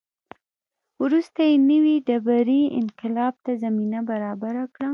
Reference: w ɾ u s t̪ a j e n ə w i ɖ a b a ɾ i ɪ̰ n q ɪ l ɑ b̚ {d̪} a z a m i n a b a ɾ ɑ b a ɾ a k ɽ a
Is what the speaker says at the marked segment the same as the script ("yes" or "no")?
no